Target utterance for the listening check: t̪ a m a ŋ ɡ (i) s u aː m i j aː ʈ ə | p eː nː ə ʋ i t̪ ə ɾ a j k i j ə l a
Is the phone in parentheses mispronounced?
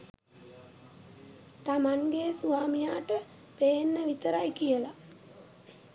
yes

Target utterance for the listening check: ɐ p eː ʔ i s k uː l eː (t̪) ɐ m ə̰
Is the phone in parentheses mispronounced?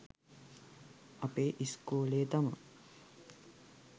no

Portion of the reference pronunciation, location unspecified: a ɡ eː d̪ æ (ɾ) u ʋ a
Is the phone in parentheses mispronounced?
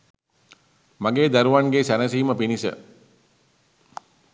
no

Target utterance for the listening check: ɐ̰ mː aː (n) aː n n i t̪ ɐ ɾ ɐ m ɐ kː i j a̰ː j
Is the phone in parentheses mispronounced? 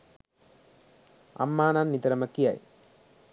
no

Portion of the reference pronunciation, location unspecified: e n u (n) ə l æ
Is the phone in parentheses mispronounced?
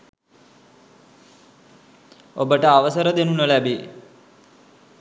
no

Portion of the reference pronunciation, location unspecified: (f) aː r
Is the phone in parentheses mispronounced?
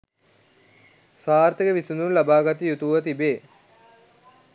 yes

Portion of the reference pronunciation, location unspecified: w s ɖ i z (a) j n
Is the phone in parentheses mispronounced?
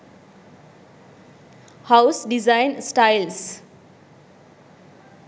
no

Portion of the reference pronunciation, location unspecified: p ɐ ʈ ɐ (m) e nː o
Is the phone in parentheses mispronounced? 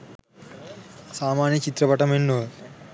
no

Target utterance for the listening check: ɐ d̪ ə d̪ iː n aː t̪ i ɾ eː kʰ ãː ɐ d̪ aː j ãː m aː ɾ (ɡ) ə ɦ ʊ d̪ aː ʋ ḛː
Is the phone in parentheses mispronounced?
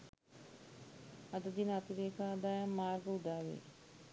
no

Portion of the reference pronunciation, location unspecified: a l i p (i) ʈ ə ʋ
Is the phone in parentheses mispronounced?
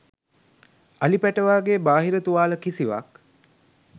yes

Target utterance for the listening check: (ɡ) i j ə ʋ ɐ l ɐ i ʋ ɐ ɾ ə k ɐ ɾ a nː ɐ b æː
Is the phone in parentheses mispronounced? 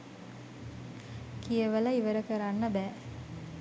yes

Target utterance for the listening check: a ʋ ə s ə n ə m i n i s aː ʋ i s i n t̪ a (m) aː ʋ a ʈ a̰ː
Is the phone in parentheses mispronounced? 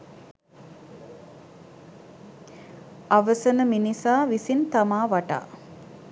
no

